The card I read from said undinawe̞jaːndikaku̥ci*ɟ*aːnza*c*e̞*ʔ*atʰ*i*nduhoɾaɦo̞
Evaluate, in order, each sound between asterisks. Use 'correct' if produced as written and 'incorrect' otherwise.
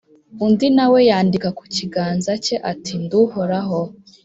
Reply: incorrect, correct, correct, correct

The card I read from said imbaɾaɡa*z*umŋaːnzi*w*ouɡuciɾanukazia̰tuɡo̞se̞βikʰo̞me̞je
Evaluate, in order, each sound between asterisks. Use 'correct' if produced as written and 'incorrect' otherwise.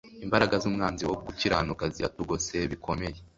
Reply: correct, correct

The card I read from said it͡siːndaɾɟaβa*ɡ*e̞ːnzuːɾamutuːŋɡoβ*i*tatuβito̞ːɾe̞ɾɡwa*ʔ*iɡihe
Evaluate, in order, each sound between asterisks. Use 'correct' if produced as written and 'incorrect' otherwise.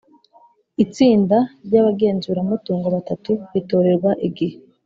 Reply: correct, incorrect, correct

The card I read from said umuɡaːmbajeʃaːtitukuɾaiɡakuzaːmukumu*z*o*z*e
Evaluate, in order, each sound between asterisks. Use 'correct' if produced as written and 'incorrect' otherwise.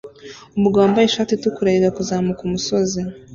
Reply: incorrect, correct

